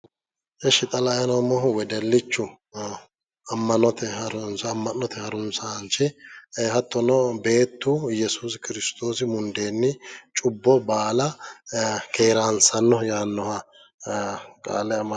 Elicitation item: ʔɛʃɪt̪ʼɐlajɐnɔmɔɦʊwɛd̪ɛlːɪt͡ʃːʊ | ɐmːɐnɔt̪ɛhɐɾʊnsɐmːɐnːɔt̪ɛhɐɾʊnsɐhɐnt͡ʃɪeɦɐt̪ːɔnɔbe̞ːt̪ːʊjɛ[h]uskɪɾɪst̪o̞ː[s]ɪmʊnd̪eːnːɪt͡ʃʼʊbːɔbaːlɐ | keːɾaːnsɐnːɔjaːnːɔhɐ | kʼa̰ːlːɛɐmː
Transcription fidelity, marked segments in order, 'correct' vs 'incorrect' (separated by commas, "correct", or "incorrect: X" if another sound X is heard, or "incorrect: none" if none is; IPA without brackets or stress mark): incorrect: s, correct